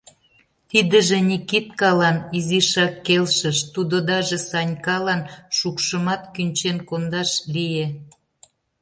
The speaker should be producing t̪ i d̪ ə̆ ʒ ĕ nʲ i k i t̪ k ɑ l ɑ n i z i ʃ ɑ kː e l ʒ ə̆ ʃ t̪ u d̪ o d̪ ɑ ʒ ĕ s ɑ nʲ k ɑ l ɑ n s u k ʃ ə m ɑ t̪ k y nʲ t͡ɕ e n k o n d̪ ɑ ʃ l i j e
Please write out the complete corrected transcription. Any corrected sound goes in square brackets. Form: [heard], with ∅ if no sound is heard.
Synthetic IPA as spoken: t̪ i d̪ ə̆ ʒ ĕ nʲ i k i t̪ k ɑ l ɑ n i z i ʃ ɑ kː e l [ʃ] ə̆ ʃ t̪ u d̪ o d̪ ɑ ʒ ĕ s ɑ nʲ k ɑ l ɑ n [ʃ] u k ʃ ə m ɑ t̪ k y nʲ t͡ɕ e n k o n d̪ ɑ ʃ l i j e